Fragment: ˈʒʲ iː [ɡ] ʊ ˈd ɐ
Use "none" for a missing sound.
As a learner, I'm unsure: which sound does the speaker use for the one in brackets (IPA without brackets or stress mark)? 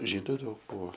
d